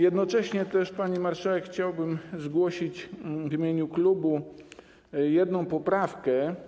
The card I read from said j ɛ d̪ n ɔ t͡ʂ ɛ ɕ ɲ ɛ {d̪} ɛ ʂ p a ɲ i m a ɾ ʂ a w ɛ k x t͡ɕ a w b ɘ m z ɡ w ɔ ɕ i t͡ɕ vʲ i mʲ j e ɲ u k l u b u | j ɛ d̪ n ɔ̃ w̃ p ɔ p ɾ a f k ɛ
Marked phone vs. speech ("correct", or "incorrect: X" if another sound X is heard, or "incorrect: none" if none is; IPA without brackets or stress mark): incorrect: t̪